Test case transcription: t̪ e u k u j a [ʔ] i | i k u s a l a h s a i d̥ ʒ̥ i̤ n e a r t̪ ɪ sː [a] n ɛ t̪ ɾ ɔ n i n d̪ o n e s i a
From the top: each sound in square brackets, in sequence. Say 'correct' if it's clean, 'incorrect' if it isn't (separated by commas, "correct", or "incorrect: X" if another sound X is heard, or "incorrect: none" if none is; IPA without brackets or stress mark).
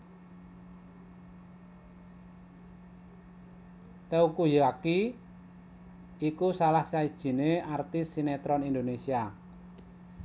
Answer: incorrect: k, incorrect: i